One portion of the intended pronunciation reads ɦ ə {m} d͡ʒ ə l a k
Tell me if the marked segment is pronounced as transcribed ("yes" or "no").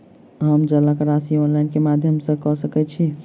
yes